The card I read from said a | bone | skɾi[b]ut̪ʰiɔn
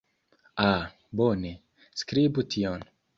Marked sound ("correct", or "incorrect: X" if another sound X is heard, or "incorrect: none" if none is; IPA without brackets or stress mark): correct